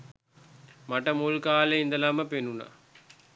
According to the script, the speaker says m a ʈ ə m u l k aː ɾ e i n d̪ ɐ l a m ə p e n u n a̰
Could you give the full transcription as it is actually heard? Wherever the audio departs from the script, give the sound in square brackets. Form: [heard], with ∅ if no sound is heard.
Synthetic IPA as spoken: m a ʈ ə m u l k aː [l] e i n d̪ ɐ l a m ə p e n u n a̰